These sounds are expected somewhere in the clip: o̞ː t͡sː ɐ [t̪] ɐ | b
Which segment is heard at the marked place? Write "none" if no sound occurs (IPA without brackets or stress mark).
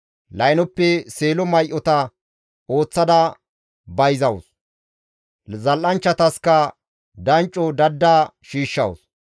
d̪